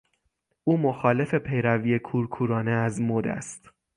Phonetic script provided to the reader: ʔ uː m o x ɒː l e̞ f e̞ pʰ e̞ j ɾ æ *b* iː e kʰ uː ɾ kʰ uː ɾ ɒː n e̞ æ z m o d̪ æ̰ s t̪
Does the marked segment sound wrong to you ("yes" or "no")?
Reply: yes